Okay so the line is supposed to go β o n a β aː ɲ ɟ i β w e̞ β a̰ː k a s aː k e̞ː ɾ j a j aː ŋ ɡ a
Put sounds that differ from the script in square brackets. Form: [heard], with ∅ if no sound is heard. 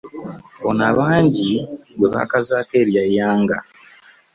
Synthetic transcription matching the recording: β o n a β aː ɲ ɟ i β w e̞ β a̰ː k a [z] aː k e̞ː ɾ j a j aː ŋ ɡ a